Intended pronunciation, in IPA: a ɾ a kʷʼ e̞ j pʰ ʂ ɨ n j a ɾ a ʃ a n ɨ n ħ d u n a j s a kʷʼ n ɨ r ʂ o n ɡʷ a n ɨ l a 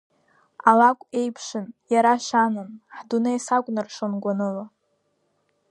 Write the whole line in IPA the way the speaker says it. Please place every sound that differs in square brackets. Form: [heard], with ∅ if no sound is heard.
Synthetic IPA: a [l] a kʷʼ e̞ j pʰ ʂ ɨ n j a ɾ a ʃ a n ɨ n ħ d u n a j s a kʷʼ n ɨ r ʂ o n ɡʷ a n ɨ l a